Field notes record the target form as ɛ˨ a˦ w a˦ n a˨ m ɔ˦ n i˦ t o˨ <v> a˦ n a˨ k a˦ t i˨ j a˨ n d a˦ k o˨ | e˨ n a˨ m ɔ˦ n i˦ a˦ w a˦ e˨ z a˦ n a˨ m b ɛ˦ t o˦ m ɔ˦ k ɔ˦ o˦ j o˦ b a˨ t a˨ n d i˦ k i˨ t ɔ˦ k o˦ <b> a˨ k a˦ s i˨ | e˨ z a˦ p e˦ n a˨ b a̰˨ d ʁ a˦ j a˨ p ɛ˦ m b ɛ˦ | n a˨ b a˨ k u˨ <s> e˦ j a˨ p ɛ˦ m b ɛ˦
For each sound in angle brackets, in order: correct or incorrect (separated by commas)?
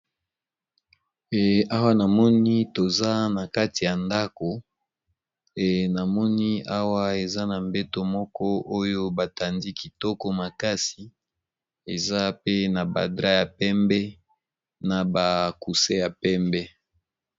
incorrect, incorrect, correct